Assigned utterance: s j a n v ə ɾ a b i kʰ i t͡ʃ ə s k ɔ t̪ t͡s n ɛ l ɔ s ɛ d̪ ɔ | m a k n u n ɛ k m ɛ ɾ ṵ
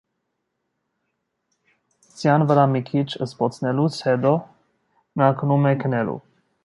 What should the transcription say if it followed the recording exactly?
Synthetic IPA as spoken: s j a n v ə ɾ a m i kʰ i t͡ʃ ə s p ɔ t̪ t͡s n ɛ l u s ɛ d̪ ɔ | n a k n u m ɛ k n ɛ l ṵ

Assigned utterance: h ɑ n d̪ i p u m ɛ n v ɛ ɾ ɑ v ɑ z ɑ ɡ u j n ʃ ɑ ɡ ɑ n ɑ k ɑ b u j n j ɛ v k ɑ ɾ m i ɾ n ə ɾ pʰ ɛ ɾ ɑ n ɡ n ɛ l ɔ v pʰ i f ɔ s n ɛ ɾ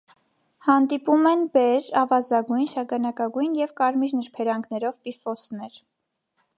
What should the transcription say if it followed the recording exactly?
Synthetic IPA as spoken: h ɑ n d̪ i p u m ɛ n b ɛ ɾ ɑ v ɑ z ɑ ɡ u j n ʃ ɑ ɡ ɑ n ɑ k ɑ ɡ u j n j ɛ v k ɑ ɾ m i ɾ n ə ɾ pʰ ɛ ɾ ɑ ŋ ɡ n ɛ ɾ ɔ v p i f ɔ s n ɛ ɾ

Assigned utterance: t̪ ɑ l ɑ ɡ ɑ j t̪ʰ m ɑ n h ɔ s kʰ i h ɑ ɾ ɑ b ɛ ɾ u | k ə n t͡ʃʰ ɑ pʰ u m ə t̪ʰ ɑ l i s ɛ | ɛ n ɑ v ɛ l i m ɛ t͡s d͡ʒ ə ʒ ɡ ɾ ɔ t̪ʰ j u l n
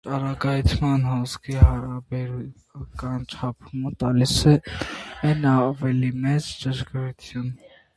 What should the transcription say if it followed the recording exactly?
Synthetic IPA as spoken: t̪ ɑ ɾ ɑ ɡ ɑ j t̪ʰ m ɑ n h ɔ s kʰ i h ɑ ɾ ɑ b ɛ ɾ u | k ɑ n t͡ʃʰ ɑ pʰ u m ə t̪ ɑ l i s ɛ | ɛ n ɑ v ɛ l i m ɛ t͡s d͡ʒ ə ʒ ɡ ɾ u t̪ʰ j u n

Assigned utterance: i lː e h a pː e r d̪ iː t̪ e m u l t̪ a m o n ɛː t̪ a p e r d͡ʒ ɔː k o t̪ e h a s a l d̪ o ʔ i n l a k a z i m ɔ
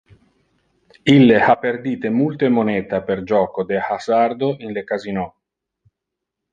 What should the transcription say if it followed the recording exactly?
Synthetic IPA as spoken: i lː e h a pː e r d̪ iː t̪ e m u l t̪ e m o n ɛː t̪ a p e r d͡ʒ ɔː k o d̪ e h a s a r d̪ o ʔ i n l e k a z i n ɔ

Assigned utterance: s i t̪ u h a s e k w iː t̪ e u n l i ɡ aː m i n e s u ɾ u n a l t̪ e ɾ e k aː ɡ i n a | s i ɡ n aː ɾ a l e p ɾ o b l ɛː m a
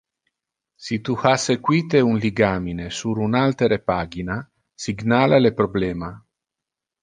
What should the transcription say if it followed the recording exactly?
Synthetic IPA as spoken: s i t̪ u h a s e k w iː t̪ e u n l i ɡ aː m i n e s u ɾ u n a l t̪ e ɾ e p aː ɡ i n a | s i ɡ n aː l a l e p ɾ o b l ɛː m a

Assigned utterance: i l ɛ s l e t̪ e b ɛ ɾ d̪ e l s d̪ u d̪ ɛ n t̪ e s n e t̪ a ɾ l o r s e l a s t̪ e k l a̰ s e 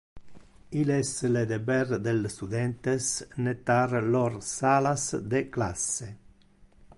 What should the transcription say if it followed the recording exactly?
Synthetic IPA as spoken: i l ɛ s l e d̪ e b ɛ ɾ d̪ e l s t̪ u d̪ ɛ n t̪ e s n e t̪ a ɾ l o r s a l a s d̪ e k l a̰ s e

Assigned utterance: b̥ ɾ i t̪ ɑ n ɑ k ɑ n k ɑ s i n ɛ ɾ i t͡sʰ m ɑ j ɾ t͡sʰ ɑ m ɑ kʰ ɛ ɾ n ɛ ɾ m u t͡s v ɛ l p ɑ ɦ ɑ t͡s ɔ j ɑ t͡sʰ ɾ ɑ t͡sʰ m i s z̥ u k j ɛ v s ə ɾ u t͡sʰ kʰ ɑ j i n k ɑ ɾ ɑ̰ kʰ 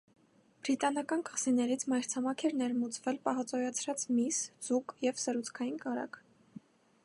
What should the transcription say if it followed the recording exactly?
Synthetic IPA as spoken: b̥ ɾ i t̪ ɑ n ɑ k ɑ n k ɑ s i n ɛ ɾ i t͡sʰ m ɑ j ɾ t͡sʰ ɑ m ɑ kʰ ɛ ɾ n ɛ ɾ m u t͡s v ɛ l p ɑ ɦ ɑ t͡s ɔ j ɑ t͡sʰ ɾ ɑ t͡s m i s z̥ u k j ɛ v s ə ɾ u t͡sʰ kʰ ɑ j i n k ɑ ɾ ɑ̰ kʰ

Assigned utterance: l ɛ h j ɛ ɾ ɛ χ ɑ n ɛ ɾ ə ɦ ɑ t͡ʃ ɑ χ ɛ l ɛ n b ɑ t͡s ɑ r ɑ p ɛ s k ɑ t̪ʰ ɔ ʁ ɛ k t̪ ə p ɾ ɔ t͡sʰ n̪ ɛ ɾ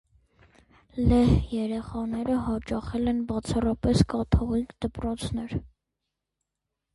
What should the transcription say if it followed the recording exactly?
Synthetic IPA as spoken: l ɛ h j ɛ ɾ ɛ χ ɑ n ɛ ɾ ə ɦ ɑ t͡ʃ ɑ χ ɛ l ɛ n b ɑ t͡sʰ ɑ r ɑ p ɛ s k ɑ t̪ʰ ɔ ʁ i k d̪ ə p ɾ ɔ t͡sʰ n̪ ɛ ɾ

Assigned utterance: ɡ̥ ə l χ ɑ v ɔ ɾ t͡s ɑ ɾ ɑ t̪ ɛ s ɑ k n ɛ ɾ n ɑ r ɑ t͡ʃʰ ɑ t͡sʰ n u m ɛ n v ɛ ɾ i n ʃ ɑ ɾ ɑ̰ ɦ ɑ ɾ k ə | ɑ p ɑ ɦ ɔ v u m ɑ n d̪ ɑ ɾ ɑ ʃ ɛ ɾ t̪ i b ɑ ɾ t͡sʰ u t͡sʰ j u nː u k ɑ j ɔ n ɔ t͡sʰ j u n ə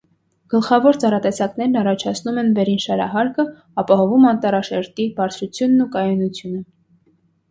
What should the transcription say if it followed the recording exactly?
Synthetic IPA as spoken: ɡ̥ ə l χ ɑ v ɔ ɾ t͡s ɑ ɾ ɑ t̪ ɛ s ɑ k n ɛ ɾ n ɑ r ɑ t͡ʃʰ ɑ t͡sʰ n u m ɛ n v ɛ ɾ i n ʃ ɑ ɾ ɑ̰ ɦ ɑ ɾ k ə | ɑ p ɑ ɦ ɔ v u m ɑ n t̪ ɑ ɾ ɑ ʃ ɛ ɾ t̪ i b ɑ ɾ t͡sʰ u t͡sʰ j u nː u k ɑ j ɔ n u t͡sʰ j u n ə

